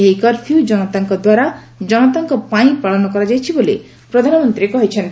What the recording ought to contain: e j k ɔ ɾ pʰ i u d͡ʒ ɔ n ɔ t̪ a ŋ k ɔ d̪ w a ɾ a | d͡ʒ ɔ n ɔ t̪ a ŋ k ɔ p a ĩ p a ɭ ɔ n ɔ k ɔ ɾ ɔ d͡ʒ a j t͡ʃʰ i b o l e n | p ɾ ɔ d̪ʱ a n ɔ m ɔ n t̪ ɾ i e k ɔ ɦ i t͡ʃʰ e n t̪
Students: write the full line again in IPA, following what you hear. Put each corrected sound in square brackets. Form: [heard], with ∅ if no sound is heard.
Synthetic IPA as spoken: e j k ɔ ɾ pʰ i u d͡ʒ ɔ n ɔ t̪ a ŋ k ɔ d̪ w a ɾ a | d͡ʒ ɔ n ɔ t̪ a ŋ k ɔ p a ĩ p a ɭ ɔ n ɔ k ɔ ɾ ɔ d͡ʒ a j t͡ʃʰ i b o l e [∅] | p ɾ ɔ d̪ʱ a n ɔ m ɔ n t̪ ɾ i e k ɔ ɦ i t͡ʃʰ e n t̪